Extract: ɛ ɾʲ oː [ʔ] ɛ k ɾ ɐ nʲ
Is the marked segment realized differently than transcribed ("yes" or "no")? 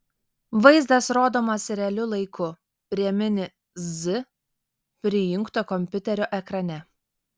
no